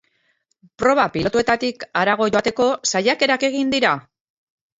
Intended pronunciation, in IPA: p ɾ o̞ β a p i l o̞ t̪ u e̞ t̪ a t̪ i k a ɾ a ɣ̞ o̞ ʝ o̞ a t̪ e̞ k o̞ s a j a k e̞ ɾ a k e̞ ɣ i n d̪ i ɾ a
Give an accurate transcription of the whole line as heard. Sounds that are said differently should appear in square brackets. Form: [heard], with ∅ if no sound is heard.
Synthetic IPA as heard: p ɾ o̞ β a p i l o̞ t̪ u e̞ t̪ a t̪ i k a ɾ a ɣ̞ o̞ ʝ o̞ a t̪ e̞ k o̞ s a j a k e̞ ɾ a k e̞ ɣ i n d̪ i ɾ a